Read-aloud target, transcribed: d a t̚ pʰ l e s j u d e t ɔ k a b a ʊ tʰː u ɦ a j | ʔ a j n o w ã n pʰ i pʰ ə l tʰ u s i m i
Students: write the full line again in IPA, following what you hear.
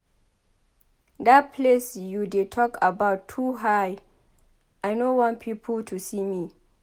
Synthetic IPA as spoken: d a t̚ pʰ l e s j u d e tʰ ɔ k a b a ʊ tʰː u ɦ a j | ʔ a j n o w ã n pʰ i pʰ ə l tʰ u s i m i